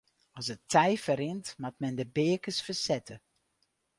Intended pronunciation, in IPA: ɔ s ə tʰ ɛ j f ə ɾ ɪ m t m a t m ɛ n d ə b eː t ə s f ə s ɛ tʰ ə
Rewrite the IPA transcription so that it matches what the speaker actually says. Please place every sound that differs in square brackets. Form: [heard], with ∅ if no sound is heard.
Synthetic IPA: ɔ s ə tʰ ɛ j f ə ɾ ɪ [n] t m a t m ɛ n d ə b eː [k] ə s f ə s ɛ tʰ ə